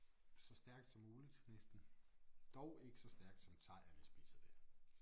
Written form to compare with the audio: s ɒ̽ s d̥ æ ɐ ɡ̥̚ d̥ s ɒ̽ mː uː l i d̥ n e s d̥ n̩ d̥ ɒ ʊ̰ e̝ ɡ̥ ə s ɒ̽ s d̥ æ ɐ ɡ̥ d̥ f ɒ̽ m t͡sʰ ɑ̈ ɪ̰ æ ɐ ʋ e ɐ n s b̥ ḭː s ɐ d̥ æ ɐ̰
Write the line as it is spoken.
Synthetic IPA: s ɒ̽ s d̥ æ ɐ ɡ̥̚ d̥ s ɒ̽ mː uː l i d̥ n e s d̥ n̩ d̥ ɒ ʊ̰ e̝ ɡ̥ ə s ɒ̽ s d̥ æ ɐ ɡ̥ d̥ s ɒ̽ m t͡sʰ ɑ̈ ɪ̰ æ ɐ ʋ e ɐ s b̥ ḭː s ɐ d̥ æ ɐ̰